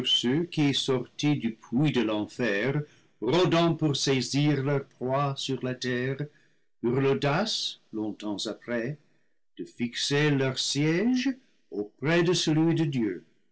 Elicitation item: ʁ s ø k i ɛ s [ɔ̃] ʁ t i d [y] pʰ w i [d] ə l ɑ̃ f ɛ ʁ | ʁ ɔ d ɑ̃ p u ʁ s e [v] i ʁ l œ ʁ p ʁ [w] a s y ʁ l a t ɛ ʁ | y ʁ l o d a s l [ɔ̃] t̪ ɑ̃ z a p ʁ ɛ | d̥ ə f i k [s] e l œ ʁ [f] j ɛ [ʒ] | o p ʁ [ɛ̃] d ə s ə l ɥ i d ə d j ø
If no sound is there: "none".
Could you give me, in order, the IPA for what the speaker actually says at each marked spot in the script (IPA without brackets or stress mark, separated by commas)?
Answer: ɔ, y, d, z, w, ɔ̃, s, s, ʒ, ɛ